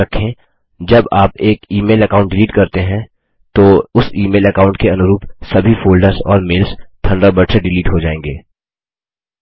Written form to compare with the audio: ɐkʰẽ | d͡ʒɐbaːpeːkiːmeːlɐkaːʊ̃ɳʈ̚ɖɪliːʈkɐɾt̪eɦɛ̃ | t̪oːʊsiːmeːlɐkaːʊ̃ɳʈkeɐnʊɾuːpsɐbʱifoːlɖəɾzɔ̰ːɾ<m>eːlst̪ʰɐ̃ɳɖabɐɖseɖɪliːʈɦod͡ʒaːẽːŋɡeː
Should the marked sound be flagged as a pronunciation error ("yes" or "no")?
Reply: no